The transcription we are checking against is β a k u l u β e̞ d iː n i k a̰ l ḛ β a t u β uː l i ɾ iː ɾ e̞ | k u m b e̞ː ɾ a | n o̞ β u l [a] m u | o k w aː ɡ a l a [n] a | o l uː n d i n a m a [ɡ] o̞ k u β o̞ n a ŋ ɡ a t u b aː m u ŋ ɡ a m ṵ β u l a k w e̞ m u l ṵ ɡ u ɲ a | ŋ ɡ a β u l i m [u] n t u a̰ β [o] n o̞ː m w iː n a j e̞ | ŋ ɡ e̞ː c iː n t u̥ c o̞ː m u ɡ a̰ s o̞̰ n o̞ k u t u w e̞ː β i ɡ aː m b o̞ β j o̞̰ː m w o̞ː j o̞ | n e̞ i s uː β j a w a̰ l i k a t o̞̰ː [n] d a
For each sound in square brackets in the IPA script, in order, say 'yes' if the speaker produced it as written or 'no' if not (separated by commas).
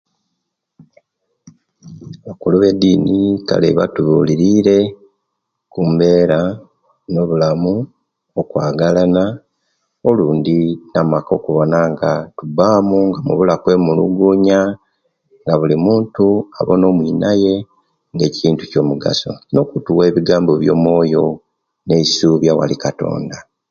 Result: yes, yes, no, no, yes, yes